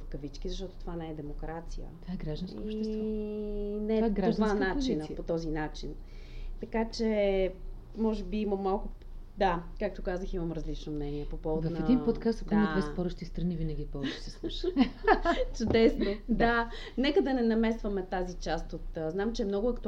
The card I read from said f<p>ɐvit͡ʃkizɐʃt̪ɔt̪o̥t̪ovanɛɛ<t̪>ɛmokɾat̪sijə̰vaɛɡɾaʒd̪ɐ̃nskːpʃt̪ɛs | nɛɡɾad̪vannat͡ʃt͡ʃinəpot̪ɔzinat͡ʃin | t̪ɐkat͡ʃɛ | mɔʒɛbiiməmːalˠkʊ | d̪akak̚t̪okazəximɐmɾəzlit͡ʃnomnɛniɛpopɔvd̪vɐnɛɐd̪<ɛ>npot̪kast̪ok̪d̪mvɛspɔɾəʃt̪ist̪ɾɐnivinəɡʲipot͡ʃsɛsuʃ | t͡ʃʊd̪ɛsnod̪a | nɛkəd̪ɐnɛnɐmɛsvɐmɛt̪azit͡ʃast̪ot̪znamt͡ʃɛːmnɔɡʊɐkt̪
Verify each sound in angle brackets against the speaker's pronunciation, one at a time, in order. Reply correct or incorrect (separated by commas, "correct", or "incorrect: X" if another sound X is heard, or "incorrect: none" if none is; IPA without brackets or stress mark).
incorrect: k, incorrect: d̪, incorrect: i